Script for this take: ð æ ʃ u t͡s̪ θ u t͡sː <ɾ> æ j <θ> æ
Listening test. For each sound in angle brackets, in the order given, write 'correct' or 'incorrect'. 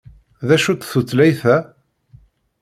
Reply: incorrect, correct

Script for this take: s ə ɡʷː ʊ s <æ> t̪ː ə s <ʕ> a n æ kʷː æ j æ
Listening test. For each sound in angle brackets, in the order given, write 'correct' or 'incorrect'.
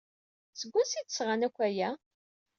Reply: incorrect, incorrect

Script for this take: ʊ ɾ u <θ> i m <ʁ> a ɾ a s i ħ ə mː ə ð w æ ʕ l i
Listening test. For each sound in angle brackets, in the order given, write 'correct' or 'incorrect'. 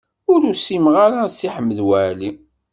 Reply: incorrect, correct

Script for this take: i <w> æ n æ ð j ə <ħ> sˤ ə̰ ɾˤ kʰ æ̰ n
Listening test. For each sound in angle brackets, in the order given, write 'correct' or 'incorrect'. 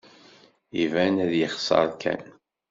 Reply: incorrect, incorrect

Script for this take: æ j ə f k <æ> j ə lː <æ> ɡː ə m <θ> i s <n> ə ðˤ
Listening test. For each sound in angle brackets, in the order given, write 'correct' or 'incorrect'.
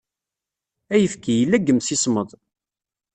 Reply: incorrect, correct, incorrect, incorrect

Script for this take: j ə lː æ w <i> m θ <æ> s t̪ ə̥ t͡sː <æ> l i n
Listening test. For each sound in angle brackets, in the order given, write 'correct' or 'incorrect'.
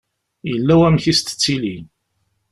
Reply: incorrect, incorrect, incorrect

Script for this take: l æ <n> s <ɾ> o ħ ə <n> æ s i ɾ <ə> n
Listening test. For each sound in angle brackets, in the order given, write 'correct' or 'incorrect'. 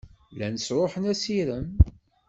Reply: correct, correct, correct, correct

